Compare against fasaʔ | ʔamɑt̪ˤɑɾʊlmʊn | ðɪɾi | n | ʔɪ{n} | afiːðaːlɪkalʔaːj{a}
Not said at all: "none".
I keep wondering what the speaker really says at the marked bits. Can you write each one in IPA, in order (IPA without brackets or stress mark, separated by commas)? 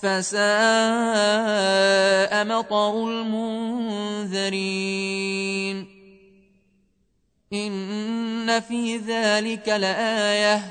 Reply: nː, a